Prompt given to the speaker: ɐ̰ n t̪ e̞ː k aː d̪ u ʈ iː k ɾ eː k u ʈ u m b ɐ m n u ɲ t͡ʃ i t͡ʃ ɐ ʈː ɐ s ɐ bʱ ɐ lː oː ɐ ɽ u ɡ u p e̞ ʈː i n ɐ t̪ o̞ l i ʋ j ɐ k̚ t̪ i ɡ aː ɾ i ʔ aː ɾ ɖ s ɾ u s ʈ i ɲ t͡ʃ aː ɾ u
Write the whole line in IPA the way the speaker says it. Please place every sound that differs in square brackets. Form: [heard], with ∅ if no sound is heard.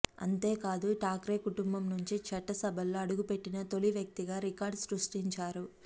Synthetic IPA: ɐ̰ n t̪ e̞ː k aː d̪ u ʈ [aː] k ɾ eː k u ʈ u m b ɐ m n u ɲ t͡ʃ i t͡ʃ ɐ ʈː ɐ s ɐ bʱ ɐ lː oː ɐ ɽ u ɡ u p e̞ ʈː i n ɐ t̪ o̞ l i ʋ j ɐ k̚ t̪ i ɡ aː ɾ i [k] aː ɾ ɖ s ɾ u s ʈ i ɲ t͡ʃ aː ɾ u